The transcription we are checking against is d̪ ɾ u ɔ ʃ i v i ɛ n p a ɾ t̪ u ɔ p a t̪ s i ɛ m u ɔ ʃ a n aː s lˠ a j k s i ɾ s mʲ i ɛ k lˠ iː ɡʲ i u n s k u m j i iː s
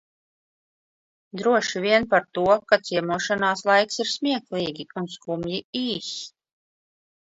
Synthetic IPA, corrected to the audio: d̪ ɾ u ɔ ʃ i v i ɛ n p a ɾ t̪ u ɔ k a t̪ s i ɛ m u ɔ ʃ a n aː s lˠ a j k s i ɾ s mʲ i ɛ k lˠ iː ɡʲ i u n s k u m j i iː s